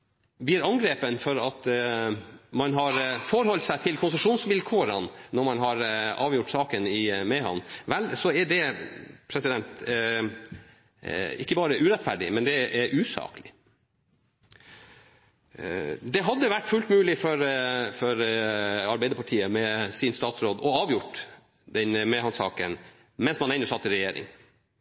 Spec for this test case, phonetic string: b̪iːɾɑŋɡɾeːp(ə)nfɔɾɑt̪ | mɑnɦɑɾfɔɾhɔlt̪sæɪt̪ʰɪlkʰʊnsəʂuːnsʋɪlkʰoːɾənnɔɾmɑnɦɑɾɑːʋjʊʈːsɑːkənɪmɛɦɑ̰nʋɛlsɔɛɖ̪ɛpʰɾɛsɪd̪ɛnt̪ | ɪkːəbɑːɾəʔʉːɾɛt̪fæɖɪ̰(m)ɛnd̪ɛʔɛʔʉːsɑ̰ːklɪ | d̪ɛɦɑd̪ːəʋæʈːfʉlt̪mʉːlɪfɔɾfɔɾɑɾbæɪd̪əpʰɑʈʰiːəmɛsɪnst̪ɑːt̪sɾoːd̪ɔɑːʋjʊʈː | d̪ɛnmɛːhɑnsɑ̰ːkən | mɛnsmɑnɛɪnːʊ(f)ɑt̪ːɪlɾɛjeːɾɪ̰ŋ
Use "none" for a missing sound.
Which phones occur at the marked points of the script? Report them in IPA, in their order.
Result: ə, m, s

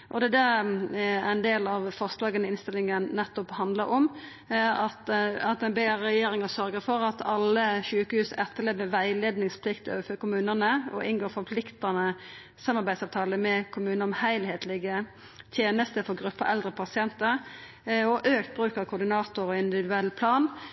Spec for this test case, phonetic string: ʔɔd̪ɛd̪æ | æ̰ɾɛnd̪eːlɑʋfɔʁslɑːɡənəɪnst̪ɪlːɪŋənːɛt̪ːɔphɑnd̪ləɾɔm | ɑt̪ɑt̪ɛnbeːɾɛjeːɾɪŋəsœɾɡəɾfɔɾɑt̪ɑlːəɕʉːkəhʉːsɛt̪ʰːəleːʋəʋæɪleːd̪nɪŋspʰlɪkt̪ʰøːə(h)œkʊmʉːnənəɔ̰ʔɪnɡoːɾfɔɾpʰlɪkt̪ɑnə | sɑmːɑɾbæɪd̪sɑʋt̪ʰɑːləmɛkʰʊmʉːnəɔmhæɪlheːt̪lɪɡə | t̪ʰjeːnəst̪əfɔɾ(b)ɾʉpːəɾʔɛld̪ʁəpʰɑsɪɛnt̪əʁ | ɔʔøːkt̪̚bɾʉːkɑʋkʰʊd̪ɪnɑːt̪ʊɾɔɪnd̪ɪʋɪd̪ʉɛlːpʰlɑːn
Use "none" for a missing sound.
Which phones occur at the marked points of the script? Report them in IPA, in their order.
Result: f, ɡ

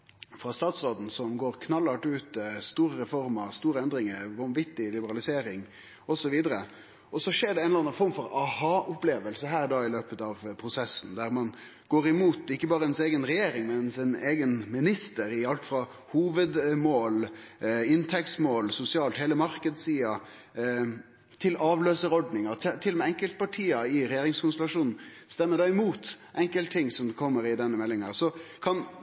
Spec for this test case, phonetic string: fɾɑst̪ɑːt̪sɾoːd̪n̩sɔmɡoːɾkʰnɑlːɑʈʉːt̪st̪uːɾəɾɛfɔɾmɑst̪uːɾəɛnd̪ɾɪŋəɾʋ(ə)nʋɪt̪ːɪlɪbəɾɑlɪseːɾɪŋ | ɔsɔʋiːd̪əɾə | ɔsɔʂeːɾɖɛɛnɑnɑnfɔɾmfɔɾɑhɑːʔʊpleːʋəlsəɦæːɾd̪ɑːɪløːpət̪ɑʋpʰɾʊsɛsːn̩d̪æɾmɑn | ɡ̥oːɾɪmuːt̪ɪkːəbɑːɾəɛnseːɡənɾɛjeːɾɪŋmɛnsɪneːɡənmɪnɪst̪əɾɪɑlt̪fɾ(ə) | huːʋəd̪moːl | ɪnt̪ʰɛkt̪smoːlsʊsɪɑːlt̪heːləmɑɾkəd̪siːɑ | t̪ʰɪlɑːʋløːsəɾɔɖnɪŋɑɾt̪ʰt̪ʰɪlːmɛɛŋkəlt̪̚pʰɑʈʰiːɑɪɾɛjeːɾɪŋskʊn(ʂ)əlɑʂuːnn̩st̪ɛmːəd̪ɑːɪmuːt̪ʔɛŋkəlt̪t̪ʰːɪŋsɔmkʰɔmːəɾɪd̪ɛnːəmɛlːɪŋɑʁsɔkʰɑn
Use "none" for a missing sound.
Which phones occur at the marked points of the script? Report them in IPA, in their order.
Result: ɑ, ɑ, s

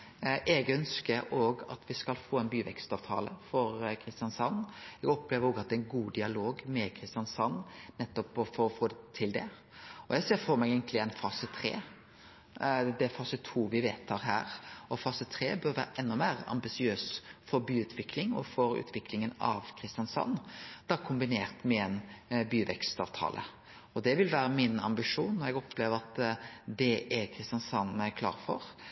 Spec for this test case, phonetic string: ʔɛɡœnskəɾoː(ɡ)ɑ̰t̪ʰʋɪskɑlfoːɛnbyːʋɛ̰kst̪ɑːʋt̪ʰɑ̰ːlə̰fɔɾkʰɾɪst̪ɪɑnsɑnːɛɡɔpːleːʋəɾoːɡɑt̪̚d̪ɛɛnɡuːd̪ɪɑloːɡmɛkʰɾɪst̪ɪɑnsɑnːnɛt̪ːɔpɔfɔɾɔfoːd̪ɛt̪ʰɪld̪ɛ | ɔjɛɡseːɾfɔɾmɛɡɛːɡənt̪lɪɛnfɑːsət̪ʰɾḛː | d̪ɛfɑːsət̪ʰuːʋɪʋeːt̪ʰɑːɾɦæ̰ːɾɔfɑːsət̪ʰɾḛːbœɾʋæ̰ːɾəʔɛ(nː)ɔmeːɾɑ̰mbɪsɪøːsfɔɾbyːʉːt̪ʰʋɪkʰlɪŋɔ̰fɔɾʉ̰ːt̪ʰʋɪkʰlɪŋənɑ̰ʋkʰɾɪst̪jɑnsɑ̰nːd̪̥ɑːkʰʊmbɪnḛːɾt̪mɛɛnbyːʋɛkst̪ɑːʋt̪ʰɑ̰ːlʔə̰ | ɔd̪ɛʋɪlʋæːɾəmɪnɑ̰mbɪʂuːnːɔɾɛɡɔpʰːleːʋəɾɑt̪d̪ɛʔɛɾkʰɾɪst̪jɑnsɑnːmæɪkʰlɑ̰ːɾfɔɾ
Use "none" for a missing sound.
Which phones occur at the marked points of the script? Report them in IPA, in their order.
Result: ɡ, nː

